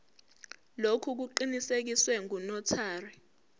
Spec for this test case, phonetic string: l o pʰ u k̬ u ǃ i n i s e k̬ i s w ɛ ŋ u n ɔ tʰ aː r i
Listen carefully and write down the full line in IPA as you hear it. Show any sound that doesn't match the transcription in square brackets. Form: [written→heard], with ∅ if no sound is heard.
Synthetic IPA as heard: l o [pʰ→kʰ] u k̬ u ǃ i n i s e k̬ i s w ɛ ŋ u n ɔ tʰ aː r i